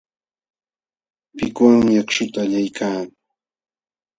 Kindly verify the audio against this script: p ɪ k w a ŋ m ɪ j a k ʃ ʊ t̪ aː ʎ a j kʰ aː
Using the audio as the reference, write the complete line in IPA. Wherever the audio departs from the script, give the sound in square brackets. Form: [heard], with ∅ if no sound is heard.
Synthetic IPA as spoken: p ɪ k w a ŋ m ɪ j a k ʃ ʊ t̪ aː ʎ a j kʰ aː